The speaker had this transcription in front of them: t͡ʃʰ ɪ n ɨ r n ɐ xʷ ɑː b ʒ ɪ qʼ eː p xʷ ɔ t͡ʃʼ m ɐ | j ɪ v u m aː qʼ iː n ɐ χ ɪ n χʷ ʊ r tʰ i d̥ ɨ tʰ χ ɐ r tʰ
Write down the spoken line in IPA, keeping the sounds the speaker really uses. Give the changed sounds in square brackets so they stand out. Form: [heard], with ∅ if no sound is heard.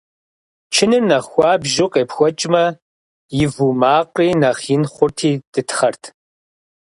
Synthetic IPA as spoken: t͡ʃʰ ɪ n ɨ r n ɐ xʷ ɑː b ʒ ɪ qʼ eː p xʷ ɔ t͡ʃʼ m ɐ | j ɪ v u m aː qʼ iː n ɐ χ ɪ n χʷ ʊ r tʰ [iː] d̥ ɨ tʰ χ ɐ r tʰ